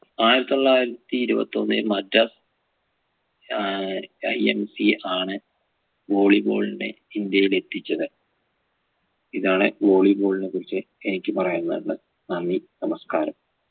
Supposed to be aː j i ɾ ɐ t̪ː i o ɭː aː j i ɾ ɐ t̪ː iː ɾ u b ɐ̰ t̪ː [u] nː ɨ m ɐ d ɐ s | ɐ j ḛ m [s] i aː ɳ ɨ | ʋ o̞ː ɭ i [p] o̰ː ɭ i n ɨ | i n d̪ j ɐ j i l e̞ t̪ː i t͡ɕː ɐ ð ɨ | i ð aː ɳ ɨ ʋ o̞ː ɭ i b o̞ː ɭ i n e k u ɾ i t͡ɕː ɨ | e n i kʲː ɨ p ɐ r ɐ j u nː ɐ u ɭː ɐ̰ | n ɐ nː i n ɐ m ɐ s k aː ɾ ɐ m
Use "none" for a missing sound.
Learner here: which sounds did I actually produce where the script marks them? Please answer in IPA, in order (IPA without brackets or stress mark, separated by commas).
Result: o, s, b